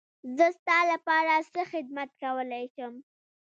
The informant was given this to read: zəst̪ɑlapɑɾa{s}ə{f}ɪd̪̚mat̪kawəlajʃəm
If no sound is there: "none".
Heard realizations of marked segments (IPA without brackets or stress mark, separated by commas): s, x